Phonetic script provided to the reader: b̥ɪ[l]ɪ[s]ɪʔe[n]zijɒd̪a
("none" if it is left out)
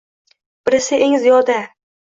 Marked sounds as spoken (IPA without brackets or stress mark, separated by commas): ɾ, s, ŋ